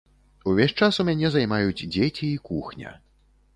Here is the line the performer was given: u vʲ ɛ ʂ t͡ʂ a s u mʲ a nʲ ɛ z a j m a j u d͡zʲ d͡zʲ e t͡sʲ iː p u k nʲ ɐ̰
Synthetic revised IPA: u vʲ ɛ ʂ t͡ʂ a s u mʲ a nʲ ɛ z a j m a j u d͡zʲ d͡zʲ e t͡sʲ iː k u x nʲ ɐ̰